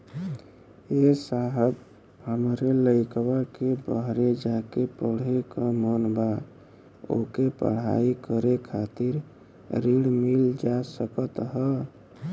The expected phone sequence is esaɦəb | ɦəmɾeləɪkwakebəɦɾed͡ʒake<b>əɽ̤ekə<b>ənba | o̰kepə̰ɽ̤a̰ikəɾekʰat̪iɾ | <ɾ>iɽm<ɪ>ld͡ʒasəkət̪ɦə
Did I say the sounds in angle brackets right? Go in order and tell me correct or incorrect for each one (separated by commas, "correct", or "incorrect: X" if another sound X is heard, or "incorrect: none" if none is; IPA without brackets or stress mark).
incorrect: p, incorrect: m, correct, incorrect: i